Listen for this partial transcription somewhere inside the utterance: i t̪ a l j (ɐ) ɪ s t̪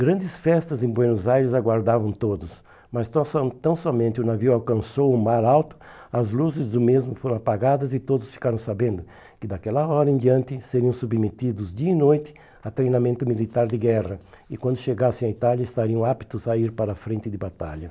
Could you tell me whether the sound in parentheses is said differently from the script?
no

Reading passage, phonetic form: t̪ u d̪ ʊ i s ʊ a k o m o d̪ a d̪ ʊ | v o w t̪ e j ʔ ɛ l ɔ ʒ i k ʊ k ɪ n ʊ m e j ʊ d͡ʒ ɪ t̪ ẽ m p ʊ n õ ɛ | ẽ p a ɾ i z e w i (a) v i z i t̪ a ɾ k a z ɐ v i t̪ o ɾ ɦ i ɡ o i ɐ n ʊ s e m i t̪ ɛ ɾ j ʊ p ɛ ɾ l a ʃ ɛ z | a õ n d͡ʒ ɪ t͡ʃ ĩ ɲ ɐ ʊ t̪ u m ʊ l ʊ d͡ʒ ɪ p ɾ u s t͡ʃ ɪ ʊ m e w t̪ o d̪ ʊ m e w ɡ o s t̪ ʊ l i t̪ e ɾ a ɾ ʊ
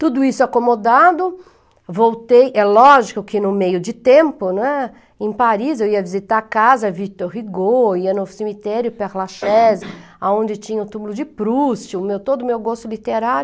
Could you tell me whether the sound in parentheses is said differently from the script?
yes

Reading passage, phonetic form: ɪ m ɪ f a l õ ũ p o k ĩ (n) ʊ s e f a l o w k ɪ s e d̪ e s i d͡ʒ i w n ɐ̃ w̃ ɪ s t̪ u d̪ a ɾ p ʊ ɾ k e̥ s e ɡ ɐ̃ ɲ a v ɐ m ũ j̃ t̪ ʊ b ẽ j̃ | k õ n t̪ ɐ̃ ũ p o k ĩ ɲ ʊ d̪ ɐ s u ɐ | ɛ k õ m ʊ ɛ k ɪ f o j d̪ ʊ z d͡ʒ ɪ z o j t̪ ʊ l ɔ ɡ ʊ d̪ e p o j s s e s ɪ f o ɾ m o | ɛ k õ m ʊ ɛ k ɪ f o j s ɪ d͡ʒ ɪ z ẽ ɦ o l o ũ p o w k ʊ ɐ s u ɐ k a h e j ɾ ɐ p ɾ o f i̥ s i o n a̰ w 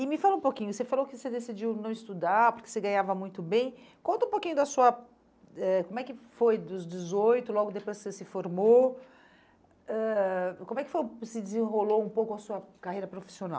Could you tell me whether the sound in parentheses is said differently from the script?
yes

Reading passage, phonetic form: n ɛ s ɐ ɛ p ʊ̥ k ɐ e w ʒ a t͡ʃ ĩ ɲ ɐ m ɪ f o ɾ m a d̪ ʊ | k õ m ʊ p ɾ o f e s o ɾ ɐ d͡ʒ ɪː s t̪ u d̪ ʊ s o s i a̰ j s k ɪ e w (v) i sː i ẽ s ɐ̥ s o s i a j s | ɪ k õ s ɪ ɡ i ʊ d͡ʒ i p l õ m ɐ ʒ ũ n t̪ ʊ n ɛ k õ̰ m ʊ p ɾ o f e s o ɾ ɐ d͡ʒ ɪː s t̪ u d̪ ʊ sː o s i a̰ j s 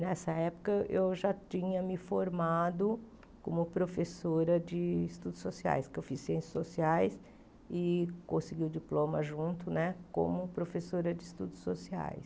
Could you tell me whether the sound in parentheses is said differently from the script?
yes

